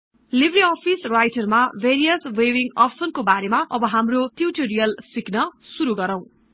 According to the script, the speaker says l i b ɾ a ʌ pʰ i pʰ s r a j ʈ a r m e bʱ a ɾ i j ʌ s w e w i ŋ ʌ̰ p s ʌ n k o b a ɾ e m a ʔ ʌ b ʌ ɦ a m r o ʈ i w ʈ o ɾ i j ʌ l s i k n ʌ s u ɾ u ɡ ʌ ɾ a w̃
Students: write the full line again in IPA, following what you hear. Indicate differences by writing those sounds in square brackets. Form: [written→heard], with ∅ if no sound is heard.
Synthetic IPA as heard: l i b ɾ [a→i] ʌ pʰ i [pʰ→∅] s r a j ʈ [a→ʌ] r m [e→a] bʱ [a→e] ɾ i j ʌ s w e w i ŋ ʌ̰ p s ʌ n k o b a ɾ e m a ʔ ʌ b ʌ ɦ a m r o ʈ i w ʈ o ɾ i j ʌ l s i k n ʌ s u ɾ u ɡ ʌ ɾ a w̃